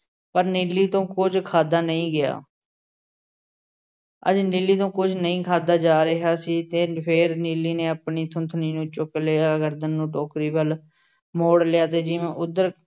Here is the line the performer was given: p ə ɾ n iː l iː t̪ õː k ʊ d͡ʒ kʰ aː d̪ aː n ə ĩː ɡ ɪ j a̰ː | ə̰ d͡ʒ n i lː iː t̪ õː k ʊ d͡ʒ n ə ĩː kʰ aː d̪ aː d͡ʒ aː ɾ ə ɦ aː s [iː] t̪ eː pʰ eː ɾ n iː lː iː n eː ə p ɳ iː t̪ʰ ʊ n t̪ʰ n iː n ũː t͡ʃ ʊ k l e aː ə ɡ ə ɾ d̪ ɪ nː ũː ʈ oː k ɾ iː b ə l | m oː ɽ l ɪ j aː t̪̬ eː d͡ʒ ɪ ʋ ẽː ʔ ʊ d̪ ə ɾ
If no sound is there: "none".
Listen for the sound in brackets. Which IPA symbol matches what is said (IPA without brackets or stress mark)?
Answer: iː